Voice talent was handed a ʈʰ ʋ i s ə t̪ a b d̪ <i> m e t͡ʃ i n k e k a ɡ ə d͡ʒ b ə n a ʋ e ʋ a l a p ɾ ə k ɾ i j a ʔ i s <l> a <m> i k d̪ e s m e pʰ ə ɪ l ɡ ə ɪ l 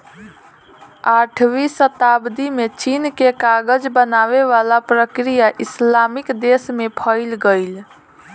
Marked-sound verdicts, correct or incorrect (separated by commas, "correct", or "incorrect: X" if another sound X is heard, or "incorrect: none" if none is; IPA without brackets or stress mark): correct, correct, correct